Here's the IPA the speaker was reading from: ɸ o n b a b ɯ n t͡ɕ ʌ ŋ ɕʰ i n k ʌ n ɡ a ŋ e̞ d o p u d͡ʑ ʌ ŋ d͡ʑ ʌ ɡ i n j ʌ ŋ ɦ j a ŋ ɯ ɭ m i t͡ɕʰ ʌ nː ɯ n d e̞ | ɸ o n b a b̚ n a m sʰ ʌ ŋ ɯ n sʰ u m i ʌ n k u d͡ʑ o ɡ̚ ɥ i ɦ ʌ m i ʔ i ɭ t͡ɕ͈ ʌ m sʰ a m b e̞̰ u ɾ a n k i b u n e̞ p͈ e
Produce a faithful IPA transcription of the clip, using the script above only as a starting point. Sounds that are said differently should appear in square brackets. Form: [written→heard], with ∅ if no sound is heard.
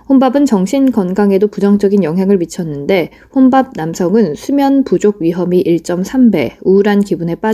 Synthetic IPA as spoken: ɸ o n b a b ɯ n t͡ɕ ʌ ŋ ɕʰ i n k ʌ n ɡ a ŋ e̞ d o p u d͡ʑ ʌ ŋ d͡ʑ ʌ ɡ i n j ʌ ŋ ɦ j a ŋ ɯ ɭ m i t͡ɕʰ ʌ nː ɯ n d e̞ | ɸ o n b a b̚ n a m sʰ ʌ ŋ ɯ n sʰ u m [i→j] ʌ n [k→p] u d͡ʑ o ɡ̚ ɥ i ɦ ʌ m i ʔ i ɭ t͡ɕ͈ ʌ m sʰ a m b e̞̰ u ɾ a n k i b u n e̞ p͈ [e→a]